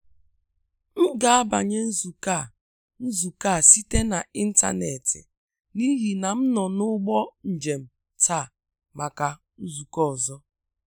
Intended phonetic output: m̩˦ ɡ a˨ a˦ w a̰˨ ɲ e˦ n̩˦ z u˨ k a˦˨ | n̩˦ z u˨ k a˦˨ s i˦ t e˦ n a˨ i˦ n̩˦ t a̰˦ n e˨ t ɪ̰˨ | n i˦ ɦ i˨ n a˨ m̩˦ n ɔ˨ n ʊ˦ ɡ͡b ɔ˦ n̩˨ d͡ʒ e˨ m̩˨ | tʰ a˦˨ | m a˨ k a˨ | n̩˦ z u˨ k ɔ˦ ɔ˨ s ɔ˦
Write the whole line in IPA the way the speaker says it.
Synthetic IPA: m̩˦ ɡ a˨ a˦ b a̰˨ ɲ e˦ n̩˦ z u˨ k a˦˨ | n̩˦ z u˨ k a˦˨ s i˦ t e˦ n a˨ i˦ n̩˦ t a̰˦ n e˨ t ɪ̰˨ | n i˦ ɦ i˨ n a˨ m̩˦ n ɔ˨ n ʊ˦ ɡ͡b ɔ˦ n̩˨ d͡ʒ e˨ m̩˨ | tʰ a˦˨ | m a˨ k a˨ | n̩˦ z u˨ k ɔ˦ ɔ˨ z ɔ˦

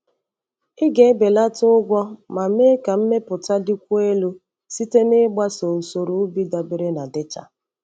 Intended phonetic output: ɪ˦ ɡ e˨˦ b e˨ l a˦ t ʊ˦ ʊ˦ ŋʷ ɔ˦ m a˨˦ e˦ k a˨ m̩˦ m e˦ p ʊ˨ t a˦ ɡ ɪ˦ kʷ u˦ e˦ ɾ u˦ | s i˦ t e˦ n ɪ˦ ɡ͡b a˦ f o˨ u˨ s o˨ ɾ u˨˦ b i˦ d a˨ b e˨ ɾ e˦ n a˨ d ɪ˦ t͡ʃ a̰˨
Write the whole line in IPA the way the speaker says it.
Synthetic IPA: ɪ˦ ɡ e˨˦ b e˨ l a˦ t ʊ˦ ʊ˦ ɡʷ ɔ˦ m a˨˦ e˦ k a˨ m̩˦ m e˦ p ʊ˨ t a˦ d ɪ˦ kʷ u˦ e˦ l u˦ | s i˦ t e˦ n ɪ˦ ɡ͡b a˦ s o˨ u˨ s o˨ ɾ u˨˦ b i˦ d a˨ b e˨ ɾ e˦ n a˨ d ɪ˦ t͡ʃ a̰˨

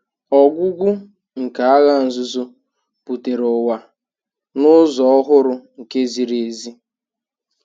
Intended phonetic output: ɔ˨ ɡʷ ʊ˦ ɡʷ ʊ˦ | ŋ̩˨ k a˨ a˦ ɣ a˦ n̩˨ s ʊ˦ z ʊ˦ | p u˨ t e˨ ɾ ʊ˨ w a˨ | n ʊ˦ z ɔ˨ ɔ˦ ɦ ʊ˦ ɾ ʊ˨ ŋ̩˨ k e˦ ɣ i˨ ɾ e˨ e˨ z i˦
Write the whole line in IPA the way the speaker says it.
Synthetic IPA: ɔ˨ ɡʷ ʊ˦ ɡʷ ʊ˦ | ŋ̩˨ k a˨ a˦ ɣ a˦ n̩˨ z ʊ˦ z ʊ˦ | p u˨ t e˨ ɾ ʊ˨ w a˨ | n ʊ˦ z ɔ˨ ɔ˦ ɦ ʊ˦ ɾ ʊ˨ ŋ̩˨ k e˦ z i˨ ɾ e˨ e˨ z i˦

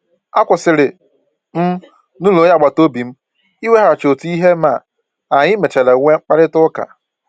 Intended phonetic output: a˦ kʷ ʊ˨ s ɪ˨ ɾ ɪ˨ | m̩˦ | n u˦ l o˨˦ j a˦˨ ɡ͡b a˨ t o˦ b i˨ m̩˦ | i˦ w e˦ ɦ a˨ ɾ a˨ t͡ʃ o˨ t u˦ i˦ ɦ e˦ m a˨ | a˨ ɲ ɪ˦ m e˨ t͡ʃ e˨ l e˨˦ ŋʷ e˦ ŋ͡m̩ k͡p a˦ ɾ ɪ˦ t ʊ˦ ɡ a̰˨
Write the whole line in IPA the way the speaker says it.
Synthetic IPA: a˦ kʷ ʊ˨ s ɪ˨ ɾ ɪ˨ | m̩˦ | n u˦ l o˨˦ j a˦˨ ɡ͡b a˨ t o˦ b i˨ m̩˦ | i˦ w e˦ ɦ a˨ ɾ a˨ t͡ʃ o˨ t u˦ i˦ ɦ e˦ m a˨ | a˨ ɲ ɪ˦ m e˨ t͡ʃ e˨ l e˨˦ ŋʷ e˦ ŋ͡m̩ k͡p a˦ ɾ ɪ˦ t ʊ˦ k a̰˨

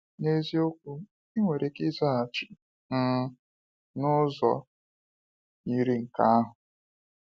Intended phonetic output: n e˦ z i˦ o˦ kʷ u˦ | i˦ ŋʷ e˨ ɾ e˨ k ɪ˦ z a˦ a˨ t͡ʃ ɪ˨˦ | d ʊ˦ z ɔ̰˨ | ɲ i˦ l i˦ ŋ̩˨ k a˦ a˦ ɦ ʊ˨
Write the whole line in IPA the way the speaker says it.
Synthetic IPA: n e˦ z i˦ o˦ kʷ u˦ | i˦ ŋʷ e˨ ɾ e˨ k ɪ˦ z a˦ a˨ t͡ʃ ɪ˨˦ | n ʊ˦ z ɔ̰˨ | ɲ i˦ ɾ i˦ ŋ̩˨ k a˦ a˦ ɦ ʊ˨

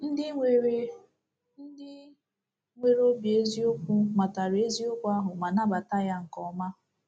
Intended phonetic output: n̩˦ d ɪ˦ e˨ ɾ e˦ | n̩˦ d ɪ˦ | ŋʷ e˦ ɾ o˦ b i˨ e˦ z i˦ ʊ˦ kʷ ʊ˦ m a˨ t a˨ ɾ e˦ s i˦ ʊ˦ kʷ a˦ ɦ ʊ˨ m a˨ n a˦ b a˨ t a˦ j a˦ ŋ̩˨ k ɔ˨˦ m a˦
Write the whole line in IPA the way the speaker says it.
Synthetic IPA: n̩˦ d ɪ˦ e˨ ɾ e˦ | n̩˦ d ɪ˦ | ŋʷ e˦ ɾ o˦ b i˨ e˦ z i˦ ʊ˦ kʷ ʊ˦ m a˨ t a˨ ɾ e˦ z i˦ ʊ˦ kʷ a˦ ɦ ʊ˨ m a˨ n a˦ b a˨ t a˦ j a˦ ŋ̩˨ k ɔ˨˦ m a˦

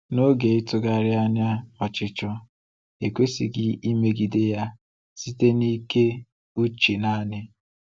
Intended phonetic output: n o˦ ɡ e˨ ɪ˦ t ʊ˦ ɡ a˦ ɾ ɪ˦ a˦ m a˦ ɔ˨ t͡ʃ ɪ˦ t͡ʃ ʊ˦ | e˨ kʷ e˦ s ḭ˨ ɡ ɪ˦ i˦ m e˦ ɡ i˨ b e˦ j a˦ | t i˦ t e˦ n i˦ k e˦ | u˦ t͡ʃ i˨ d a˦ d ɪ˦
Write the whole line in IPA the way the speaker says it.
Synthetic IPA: n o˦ ɡ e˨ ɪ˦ t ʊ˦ ɡ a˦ ɾ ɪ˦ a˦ ɲ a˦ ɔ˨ t͡ʃ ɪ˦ t͡ʃ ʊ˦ | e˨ kʷ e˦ s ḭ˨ ɡ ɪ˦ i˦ m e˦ ɡ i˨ d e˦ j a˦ | s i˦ t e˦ n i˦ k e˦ | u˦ t͡ʃ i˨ n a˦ n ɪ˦

